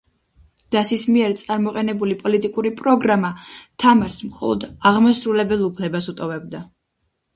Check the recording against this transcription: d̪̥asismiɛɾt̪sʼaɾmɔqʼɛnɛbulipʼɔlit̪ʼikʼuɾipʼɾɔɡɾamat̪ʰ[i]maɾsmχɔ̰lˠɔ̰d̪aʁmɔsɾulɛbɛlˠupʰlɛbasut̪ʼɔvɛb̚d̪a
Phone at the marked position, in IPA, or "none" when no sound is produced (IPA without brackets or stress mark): a